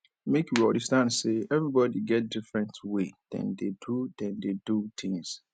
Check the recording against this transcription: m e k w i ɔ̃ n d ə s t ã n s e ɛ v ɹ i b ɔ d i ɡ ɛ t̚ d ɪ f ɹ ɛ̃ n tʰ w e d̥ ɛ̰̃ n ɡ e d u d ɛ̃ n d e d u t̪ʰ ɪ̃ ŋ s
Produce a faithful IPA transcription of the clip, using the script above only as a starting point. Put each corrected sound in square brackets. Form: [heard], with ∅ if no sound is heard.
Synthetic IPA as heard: m e k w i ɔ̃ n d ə s t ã n s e ɛ v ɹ i b ɔ d i ɡ ɛ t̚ d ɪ f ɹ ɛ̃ n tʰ w e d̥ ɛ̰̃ n [d] e d u d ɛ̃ n d e d u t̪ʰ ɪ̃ ŋ s